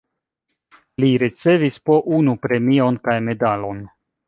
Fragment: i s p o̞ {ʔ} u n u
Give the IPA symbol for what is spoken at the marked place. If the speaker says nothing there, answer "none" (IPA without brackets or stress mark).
ʔ